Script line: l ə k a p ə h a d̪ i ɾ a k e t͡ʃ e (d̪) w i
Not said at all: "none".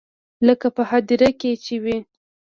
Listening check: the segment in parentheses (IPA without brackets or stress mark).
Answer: none